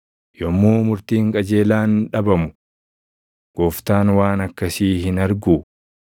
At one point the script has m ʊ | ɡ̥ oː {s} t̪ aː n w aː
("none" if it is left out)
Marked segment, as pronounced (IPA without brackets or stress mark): f